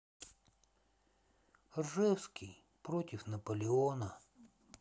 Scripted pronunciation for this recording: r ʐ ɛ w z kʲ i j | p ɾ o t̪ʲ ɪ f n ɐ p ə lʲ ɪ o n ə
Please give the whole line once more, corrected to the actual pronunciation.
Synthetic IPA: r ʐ ɛ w s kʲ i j | p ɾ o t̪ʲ ɪ f n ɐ p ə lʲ ɪ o n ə